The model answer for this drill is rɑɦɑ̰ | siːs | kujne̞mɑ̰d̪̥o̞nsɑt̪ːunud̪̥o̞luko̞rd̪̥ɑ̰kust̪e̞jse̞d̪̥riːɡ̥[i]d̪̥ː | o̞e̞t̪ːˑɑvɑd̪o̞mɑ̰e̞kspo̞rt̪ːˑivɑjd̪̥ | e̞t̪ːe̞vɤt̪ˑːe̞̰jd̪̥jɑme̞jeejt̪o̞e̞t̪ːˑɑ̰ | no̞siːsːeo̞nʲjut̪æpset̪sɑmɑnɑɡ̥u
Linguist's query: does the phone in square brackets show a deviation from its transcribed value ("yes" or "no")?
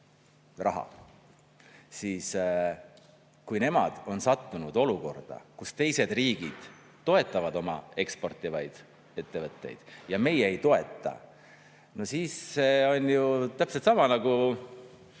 no